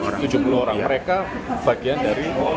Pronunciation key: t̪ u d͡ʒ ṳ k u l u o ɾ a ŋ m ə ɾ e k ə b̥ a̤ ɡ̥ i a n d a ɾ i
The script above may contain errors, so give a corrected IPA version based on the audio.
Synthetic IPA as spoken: t̪ u d͡ʒ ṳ p u l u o ɾ a ŋ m ə ɾ e k a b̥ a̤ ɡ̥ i a n d a ɾ i